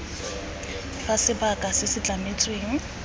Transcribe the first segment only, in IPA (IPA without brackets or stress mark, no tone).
f